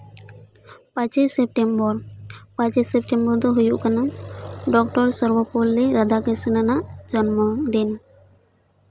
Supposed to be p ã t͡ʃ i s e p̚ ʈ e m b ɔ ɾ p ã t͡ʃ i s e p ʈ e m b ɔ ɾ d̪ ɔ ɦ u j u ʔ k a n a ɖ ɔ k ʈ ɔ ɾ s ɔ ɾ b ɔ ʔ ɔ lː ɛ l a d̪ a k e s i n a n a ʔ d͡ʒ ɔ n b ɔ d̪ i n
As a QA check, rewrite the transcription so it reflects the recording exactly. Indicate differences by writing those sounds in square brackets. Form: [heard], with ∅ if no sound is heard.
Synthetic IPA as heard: p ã t͡ʃ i s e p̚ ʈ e m b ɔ ɾ p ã t͡ʃ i s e p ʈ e m b ɔ ɾ d̪ ɔ ɦ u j u ʔ k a n a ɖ ɔ k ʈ ɔ ɾ s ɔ ɾ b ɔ [p] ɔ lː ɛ [ɾ] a d̪ a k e s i n a n a ʔ d͡ʒ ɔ n [m] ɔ d̪ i n